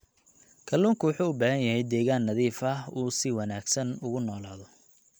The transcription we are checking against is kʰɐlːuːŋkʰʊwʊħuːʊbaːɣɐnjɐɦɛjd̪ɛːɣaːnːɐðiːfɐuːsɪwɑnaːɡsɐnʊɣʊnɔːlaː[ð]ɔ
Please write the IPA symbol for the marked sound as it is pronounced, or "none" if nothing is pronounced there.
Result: ð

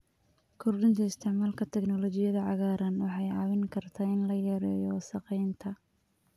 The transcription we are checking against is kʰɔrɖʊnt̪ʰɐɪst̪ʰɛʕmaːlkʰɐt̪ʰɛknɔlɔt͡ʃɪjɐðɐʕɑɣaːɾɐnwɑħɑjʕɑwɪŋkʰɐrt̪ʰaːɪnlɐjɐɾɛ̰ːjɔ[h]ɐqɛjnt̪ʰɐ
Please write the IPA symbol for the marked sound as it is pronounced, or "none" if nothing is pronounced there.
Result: s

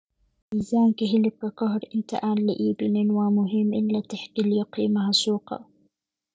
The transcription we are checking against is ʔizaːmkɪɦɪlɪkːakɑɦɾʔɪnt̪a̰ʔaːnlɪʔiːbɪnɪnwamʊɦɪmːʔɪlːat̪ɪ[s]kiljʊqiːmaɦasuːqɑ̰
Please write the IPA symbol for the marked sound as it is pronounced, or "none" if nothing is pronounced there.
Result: ħ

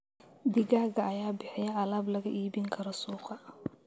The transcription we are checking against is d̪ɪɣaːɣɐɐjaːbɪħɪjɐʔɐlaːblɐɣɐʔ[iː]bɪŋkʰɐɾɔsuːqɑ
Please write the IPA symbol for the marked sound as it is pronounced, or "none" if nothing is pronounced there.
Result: iː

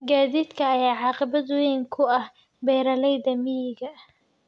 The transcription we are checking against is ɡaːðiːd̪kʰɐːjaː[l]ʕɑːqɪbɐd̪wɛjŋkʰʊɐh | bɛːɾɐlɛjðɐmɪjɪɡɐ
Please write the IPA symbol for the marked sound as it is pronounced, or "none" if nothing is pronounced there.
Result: none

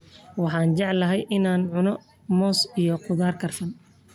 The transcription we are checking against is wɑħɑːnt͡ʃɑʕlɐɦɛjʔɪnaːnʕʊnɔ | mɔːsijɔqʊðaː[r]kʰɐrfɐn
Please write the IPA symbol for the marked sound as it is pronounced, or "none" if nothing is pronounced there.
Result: r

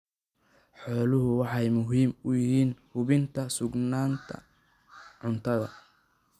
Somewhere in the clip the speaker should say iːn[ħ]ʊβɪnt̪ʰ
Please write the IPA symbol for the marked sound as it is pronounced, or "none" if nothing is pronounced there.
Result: h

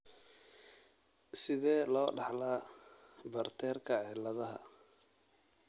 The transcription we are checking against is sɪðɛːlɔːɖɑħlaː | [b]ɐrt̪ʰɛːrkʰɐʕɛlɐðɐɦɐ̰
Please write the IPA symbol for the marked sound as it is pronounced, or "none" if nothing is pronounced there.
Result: b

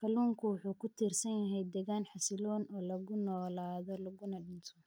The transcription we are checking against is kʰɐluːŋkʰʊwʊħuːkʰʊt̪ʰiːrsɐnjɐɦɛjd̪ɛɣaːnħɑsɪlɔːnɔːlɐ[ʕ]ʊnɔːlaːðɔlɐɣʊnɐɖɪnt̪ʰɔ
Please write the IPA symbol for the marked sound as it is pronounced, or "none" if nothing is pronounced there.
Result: ɣ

